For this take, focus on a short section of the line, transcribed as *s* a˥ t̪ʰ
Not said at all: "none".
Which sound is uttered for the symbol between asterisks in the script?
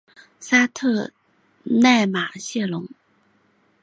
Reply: s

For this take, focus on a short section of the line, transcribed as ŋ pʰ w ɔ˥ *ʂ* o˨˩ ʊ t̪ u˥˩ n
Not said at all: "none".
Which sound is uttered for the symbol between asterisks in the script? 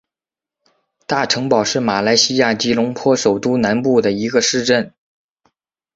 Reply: ʂ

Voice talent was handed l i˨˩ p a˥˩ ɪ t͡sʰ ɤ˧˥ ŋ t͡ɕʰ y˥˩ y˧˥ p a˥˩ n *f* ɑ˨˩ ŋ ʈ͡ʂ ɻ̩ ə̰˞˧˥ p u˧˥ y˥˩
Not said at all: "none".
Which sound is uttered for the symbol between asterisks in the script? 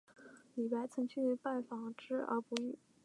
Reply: f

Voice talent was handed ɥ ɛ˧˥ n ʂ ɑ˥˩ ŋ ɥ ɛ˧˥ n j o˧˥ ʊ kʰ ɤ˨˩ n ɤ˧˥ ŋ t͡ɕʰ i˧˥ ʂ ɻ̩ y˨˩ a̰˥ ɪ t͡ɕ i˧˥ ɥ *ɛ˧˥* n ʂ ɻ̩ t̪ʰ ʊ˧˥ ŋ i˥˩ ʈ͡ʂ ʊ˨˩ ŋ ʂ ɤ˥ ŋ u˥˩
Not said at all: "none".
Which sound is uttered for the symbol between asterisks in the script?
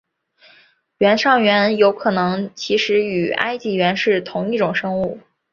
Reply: ɛ˧˥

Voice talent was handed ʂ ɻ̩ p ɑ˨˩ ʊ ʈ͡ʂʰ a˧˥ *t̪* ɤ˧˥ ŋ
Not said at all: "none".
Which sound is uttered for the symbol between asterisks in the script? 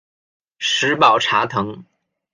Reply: t̪ʰ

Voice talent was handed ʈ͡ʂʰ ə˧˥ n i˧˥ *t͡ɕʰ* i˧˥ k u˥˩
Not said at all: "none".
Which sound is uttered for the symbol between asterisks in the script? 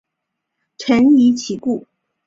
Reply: t͡ɕʰ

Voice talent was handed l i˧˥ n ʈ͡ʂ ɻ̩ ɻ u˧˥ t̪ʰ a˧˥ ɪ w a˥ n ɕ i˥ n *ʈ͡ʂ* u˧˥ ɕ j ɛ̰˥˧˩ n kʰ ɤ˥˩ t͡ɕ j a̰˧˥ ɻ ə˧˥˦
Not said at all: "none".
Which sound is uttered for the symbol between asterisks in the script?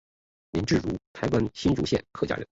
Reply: ʈ͡ʂ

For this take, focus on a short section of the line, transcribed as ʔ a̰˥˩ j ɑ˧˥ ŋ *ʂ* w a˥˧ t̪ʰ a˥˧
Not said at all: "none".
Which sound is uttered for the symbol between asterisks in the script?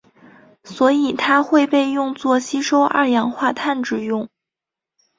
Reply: x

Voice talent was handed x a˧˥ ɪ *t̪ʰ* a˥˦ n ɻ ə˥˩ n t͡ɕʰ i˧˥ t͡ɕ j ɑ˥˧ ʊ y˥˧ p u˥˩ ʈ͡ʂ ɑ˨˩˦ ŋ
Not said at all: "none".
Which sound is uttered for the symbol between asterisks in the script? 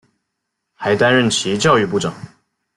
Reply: t̪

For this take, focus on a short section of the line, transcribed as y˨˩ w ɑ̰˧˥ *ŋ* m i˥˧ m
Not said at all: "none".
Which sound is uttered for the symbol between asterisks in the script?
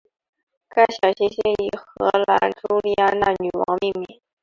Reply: ŋ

